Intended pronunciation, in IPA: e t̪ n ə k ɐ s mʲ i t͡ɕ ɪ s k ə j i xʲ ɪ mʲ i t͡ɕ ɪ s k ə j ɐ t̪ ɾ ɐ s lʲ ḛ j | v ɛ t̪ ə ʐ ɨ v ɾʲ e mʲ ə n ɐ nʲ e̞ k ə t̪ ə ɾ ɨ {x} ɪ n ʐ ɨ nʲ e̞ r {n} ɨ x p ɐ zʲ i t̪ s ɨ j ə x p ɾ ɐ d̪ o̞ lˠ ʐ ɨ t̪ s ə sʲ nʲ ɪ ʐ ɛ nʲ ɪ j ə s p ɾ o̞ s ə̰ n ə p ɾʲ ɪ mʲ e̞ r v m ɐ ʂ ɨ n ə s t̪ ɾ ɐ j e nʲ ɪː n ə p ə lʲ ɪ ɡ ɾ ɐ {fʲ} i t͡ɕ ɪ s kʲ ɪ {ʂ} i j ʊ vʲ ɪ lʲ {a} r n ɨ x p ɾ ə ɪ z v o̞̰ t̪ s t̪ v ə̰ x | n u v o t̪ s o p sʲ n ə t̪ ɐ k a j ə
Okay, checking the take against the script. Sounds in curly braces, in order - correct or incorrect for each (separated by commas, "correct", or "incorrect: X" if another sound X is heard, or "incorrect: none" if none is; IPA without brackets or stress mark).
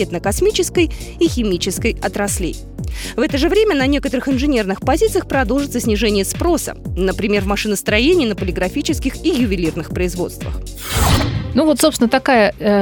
correct, correct, correct, incorrect: x, incorrect: i